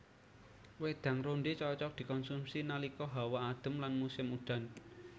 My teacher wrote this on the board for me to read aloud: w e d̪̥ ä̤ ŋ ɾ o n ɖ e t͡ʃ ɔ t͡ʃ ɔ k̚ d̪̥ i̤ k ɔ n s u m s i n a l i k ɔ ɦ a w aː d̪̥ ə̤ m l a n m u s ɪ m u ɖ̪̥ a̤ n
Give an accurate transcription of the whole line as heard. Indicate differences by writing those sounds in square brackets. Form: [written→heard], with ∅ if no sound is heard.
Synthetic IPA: w e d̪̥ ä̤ ŋ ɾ o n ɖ e t͡ʃ ɔ t͡ʃ ɔ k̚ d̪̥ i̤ k ɔ n s u m s i n a l i k ɔ ɦ a w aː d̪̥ ə̤ m l a n m u s ɪ m u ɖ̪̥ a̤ n